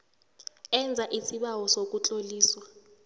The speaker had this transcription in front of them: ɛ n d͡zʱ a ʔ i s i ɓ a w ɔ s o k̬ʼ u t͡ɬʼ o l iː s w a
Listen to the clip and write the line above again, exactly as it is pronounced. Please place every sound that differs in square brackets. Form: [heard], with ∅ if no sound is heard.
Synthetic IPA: ɛ n d͡zʱ a ʔ i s i ɓ a w ɔ s o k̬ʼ u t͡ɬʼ o l iː s w a